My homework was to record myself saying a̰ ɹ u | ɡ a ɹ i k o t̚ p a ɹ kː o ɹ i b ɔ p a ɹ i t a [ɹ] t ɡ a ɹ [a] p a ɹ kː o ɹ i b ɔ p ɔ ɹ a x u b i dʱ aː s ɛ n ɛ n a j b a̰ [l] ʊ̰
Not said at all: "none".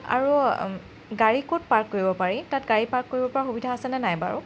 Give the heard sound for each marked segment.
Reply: none, i, ɹ

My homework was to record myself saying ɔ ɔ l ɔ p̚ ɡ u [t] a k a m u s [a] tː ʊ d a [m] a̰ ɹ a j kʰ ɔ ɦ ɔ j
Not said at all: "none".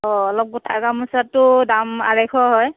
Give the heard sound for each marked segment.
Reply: tʰ, a, m

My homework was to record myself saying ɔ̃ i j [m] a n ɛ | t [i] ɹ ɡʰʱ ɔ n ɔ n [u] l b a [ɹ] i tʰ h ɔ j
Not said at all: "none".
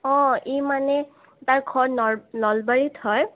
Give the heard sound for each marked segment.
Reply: m, a, ɔ, ɹ

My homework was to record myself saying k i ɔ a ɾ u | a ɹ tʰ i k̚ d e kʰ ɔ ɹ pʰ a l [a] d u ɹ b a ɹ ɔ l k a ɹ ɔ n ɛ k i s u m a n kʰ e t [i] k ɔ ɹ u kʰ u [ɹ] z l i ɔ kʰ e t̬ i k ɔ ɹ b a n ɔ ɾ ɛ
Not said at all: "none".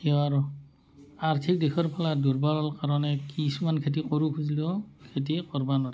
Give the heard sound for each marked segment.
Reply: a, i, none

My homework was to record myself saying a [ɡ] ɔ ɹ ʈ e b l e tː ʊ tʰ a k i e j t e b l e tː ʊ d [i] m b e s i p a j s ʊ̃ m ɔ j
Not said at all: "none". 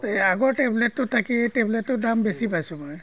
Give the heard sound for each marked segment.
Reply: ɡ, a

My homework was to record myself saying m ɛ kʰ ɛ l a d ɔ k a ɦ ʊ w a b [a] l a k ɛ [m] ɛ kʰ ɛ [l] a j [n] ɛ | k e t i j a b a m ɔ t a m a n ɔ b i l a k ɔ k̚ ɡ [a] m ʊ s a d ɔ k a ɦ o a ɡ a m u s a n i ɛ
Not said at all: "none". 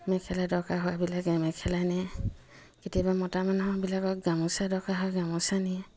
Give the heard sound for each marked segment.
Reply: i, m, l, n, a

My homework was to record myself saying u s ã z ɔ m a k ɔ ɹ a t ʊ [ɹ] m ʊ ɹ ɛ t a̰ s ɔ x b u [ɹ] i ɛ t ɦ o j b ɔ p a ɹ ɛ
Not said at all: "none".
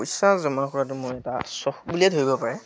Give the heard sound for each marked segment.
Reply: none, l

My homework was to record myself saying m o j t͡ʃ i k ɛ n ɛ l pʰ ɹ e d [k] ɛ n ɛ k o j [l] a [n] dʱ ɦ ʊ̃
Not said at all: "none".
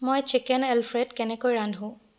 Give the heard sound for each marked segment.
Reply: k, ɹ, n

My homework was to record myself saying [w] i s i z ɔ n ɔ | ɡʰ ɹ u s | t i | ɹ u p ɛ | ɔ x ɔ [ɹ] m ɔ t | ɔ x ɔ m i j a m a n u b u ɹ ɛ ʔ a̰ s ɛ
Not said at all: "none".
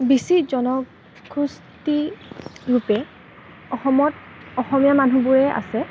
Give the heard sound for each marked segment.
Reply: b, none

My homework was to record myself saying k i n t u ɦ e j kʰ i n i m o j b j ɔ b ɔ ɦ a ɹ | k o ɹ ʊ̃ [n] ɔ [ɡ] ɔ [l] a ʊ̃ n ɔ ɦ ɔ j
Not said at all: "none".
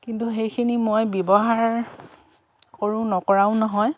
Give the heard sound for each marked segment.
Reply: n, k, ɹ

